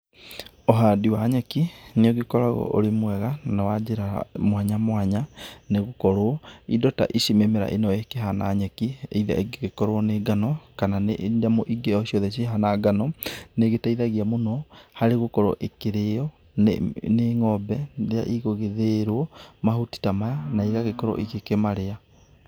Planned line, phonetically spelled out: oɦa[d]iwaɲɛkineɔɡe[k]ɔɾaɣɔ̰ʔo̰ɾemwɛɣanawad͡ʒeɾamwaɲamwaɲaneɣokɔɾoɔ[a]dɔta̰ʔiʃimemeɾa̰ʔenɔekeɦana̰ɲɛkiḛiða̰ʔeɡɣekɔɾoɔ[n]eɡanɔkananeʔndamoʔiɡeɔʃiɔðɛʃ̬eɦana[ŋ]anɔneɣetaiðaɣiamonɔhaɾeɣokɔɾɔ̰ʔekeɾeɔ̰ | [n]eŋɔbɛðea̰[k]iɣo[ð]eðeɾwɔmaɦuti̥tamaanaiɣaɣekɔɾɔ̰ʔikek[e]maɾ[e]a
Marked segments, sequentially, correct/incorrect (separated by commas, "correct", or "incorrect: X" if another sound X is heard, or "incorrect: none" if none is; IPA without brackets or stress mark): correct, correct, incorrect: i, correct, incorrect: ɡ, correct, incorrect: ʔ, incorrect: ɣ, correct, correct